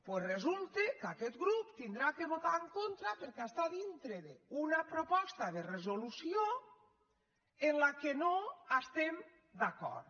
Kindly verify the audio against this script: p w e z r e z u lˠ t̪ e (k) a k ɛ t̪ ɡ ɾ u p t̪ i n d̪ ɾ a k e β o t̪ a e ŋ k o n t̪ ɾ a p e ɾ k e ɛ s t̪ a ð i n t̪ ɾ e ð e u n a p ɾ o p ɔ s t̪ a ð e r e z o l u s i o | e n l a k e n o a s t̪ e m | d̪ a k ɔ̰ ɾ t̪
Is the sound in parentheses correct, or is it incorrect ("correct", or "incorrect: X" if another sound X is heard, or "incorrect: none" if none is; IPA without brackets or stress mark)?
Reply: correct